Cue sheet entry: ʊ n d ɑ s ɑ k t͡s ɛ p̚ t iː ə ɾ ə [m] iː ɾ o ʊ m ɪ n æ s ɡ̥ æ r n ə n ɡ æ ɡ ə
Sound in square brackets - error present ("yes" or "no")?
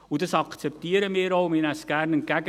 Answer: no